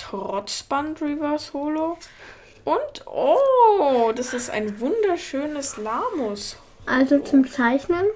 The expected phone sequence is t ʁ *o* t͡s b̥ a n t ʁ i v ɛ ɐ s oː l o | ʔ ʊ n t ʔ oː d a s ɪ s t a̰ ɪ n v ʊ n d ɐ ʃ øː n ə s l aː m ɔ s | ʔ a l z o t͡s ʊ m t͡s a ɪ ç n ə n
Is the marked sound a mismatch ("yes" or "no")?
yes